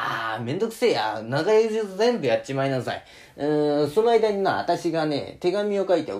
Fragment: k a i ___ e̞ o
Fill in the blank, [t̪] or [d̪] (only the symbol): t̪